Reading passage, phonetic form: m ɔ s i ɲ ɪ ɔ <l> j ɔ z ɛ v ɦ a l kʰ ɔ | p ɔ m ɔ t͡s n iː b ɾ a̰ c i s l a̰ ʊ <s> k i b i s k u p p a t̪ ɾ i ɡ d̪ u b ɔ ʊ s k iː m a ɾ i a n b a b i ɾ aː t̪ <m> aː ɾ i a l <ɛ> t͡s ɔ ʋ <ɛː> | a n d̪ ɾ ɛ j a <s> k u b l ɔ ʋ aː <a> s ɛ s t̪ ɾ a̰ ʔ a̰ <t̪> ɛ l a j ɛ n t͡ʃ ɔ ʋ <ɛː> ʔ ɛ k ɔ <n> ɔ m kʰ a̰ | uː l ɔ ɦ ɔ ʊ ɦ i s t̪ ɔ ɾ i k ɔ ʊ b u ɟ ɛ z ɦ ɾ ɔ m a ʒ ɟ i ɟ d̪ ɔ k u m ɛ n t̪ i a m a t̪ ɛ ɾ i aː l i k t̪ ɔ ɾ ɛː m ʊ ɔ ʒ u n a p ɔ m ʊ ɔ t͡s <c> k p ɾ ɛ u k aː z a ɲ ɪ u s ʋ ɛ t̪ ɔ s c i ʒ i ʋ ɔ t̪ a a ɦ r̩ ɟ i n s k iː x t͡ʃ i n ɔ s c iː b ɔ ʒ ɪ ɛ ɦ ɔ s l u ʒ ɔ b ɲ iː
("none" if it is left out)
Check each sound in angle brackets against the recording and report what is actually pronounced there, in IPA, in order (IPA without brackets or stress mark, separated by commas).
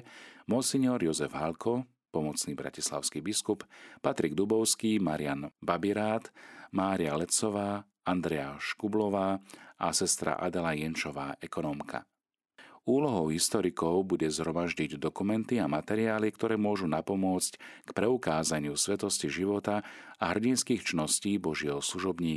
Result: ɾ, s, m, ɛ, aː, ʃ, a, d̪, aː, n, c